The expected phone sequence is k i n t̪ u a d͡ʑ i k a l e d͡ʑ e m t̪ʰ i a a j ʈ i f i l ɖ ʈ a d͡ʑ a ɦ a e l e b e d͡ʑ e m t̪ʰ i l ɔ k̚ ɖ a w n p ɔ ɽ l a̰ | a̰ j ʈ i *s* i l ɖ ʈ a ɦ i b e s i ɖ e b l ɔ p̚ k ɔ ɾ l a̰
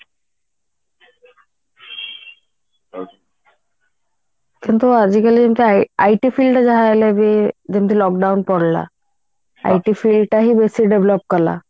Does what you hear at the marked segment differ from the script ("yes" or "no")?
yes